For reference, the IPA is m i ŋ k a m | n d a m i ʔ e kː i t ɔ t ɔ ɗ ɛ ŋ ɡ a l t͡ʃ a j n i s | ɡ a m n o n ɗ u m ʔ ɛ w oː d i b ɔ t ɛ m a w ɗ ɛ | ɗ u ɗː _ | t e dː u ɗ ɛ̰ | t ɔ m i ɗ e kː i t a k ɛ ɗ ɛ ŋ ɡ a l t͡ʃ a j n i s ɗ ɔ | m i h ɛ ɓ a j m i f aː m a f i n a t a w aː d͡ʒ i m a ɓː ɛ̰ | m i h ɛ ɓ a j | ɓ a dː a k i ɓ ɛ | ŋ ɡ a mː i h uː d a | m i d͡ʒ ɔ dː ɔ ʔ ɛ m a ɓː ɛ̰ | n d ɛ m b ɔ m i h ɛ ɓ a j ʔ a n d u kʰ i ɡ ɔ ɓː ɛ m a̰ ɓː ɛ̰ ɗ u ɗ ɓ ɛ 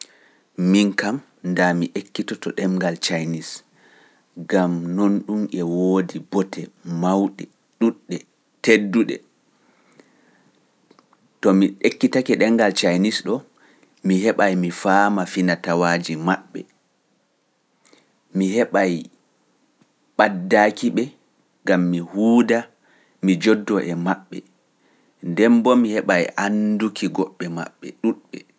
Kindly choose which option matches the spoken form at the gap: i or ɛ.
ɛ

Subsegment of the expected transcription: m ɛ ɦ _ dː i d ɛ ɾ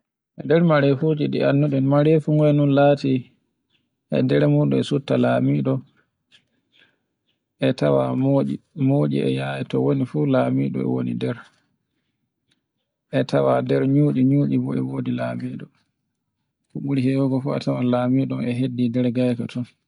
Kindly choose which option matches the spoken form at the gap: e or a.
e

